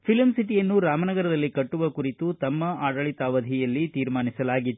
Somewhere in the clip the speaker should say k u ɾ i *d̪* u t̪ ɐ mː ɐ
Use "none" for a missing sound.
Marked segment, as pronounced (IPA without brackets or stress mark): t̪